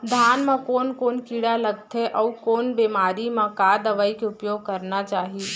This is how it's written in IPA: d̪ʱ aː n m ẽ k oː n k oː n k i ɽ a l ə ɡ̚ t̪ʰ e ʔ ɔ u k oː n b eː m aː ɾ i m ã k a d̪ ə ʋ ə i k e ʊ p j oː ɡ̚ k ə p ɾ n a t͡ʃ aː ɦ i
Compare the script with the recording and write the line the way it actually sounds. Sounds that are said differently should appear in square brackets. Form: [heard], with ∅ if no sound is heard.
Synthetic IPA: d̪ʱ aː n m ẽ k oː n k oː n k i ɽ a l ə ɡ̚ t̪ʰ e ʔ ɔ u k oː n b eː m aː ɾ i m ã k a d̪ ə ʋ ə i k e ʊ p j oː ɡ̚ k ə [∅] ɾ n a t͡ʃ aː ɦ i